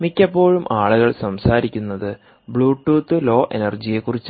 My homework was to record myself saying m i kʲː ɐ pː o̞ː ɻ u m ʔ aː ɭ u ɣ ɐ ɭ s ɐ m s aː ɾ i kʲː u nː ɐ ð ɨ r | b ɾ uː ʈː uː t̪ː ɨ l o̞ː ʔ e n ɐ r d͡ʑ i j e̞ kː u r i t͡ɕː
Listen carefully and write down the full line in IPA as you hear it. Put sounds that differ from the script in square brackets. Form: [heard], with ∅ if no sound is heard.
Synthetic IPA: m i kʲː ɐ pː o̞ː ɻ u m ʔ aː ɭ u ɣ ɐ ɭ s ɐ m s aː ɾ i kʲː u nː ɐ ð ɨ [∅] | b [ɭ] uː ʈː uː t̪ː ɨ l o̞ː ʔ e n ɐ r d͡ʑ i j e̞ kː u r i t͡ɕː